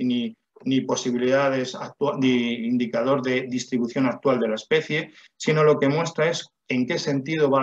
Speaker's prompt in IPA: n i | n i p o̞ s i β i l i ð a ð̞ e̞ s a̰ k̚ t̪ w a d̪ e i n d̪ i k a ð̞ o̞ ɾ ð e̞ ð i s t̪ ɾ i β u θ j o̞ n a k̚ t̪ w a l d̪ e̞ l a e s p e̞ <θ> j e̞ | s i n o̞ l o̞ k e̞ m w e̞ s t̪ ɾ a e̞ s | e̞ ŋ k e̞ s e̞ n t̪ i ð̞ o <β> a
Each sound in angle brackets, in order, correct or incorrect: correct, correct

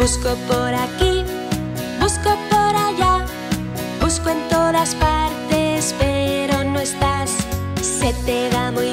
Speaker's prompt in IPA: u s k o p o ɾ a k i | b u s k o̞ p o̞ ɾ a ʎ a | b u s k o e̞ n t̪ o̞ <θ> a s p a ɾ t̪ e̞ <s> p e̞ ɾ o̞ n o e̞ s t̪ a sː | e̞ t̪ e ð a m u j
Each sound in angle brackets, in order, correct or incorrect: incorrect, correct

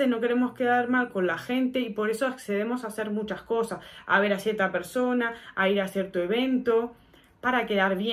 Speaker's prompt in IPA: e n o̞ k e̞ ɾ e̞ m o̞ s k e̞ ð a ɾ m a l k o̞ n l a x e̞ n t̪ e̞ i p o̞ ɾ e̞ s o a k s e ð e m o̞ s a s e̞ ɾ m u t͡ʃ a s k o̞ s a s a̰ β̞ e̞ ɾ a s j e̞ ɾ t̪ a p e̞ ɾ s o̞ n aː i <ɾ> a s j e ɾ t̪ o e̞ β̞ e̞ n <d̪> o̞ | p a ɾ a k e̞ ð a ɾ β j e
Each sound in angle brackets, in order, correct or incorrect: correct, incorrect

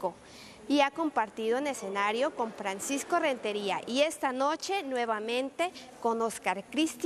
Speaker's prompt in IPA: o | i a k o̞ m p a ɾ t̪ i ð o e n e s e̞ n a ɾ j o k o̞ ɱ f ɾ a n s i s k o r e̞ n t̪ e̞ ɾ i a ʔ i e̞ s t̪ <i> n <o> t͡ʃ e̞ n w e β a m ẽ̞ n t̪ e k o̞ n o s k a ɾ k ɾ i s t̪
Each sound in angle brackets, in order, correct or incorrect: incorrect, correct

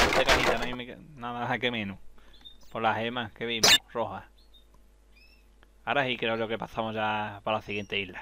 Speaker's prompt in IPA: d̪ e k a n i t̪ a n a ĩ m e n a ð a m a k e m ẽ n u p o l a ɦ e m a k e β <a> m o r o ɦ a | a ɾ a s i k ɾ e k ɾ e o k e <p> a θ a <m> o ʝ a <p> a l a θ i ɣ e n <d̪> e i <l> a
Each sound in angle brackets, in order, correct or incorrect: incorrect, correct, correct, correct, incorrect, correct

